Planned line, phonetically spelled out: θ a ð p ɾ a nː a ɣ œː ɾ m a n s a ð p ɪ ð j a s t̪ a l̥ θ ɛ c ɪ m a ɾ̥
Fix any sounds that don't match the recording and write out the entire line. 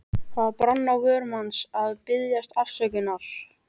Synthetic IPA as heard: θ a ð p ɾ a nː a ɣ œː ɾ m a n s a ð p ɪ ð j a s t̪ a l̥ s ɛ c ɪ n a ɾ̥